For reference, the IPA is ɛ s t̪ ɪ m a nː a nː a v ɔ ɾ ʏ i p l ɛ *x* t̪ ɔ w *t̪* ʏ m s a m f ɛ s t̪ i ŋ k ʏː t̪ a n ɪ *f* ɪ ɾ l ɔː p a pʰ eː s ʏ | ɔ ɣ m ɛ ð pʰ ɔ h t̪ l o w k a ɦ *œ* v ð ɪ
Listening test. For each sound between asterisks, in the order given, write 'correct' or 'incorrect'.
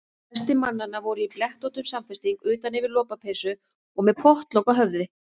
incorrect, correct, incorrect, correct

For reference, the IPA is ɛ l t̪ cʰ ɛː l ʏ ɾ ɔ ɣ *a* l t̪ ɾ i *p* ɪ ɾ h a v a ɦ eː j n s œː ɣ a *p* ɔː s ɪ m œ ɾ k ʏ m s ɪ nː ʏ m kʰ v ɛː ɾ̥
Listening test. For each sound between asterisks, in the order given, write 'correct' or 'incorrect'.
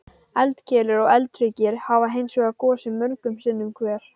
incorrect, incorrect, incorrect

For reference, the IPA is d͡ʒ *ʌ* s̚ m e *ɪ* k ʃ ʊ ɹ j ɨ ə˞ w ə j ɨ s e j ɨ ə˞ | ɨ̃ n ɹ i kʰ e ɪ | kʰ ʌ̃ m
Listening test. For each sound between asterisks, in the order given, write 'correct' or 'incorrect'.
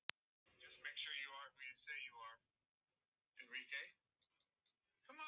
correct, correct

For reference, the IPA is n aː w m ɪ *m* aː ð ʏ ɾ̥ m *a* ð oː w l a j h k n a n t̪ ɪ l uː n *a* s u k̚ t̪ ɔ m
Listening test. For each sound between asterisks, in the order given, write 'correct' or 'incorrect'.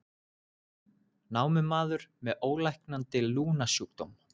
correct, incorrect, correct

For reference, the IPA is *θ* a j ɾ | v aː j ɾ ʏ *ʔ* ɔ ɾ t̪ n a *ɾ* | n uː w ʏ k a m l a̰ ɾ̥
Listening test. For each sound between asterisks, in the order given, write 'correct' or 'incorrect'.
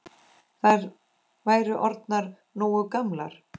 correct, correct, correct

